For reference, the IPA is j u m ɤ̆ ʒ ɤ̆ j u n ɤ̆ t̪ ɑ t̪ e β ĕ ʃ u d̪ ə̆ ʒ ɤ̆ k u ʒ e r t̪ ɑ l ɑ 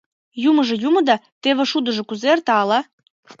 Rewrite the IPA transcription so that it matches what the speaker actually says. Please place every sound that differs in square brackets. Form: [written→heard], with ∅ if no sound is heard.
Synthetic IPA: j u m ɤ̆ ʒ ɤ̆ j u [n→m] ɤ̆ [t̪→d̪] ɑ t̪ e β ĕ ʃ u d̪ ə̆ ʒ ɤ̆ k u [ʒ→z] e r t̪ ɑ l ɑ

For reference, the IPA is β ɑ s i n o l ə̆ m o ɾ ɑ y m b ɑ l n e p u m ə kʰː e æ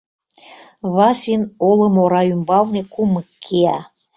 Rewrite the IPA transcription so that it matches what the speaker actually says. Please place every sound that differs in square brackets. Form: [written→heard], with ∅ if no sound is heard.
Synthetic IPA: β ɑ s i n o l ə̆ m o ɾ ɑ y m b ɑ l n e [p→k] u m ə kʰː e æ

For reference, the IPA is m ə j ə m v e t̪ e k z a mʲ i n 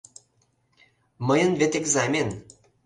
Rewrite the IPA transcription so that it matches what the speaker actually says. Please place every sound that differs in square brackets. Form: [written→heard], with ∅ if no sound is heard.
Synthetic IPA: m ə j ə [m→n] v e t̪ e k z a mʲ [i→e] n

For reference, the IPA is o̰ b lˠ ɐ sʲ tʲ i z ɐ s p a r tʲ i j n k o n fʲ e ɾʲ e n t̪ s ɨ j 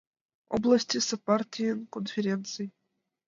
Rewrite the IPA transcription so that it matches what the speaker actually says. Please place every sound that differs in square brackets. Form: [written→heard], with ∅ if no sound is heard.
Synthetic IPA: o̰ b lˠ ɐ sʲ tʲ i [z→s] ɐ [s→∅] p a r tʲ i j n k o n fʲ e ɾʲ e n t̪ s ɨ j

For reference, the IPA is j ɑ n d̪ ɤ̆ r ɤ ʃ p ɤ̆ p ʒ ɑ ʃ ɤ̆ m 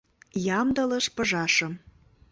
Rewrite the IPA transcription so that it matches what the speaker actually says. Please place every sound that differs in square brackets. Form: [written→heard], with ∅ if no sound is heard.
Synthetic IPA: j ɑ [n→m] d̪ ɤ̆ [r→l] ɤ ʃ p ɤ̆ [p→∅] ʒ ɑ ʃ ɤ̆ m

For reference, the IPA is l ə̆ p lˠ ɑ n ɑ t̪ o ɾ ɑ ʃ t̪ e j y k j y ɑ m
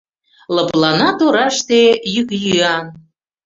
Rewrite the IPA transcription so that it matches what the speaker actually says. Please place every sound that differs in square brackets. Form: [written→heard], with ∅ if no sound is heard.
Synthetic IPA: l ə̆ p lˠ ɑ n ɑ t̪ o ɾ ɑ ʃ t̪ e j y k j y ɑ [m→n]

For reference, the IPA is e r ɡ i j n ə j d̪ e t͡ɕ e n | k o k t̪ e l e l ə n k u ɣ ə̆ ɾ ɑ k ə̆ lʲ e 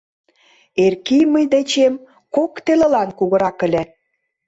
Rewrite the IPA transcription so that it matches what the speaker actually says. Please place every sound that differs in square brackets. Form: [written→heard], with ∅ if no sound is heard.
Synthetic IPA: e r [ɡ→k] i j [n→m] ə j d̪ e t͡ɕ e [n→m] | k o k t̪ e l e l [ə→ɑ] n k u ɣ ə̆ ɾ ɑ k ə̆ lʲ e

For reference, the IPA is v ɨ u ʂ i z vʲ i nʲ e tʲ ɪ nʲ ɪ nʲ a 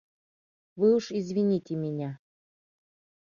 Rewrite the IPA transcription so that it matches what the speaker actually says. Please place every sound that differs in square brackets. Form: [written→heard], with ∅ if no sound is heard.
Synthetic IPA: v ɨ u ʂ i z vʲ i nʲ [e→i] tʲ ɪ [nʲ→mʲ] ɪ nʲ a

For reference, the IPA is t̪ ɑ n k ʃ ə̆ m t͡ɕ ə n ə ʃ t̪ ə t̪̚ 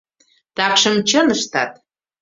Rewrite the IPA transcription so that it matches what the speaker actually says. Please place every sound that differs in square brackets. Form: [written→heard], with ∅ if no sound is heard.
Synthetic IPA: t̪ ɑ [n→∅] k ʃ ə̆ m t͡ɕ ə n ə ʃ t̪ [ə→ɑ] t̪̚

